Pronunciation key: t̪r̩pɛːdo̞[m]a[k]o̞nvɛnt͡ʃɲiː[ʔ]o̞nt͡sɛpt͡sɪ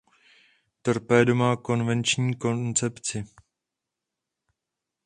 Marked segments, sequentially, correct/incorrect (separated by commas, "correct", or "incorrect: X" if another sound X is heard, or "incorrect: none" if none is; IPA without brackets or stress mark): correct, correct, incorrect: k